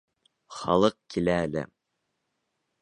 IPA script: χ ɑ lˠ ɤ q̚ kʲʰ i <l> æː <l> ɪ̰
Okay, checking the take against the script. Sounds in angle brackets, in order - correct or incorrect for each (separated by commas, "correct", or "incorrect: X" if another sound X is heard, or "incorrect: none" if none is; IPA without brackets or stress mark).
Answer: correct, correct